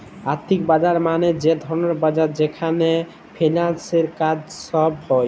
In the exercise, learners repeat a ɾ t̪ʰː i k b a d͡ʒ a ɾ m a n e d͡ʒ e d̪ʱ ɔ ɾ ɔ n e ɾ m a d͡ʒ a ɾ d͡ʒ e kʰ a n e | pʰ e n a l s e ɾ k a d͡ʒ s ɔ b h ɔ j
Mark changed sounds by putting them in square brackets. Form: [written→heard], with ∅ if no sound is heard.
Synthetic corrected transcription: a ɾ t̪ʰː i k b a d͡ʒ a ɾ m a n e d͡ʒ e d̪ʱ ɔ ɾ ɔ n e ɾ [m→b] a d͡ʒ a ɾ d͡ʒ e kʰ a n e | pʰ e n a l s e ɾ k a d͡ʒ s ɔ b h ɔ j